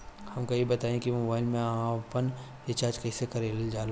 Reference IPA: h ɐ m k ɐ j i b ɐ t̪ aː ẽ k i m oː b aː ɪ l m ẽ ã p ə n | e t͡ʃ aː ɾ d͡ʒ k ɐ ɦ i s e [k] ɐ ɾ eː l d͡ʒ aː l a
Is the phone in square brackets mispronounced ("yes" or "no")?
no